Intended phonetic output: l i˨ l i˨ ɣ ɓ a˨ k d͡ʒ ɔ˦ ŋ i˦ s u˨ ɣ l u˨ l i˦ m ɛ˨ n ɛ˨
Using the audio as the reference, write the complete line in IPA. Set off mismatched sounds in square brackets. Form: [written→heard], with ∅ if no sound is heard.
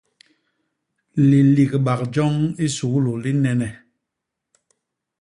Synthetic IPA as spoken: l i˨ l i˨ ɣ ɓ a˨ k d͡ʒ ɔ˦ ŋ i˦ s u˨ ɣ l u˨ l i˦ [m→n] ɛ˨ n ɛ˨